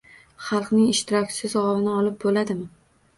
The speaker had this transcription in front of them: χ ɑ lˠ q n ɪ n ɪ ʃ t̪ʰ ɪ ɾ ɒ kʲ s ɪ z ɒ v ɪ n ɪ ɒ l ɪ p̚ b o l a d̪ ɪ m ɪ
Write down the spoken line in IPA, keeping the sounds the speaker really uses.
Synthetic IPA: χ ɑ lˠ q n ɪ ŋ ɪ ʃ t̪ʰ ɪ ɾ ɒ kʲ s ɪ z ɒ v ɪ n ɪ ɒ l ɪ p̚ b o l a d̪ ɪ m ɪ